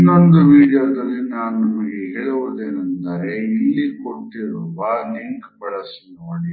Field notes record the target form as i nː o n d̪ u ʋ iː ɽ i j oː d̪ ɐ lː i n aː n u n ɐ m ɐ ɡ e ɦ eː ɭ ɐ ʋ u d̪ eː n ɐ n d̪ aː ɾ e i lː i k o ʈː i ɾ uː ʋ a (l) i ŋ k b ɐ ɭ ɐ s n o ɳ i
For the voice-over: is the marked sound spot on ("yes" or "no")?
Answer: yes